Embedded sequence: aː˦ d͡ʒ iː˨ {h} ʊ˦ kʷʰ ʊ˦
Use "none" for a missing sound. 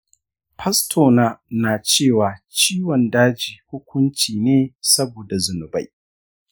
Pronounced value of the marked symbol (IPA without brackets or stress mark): h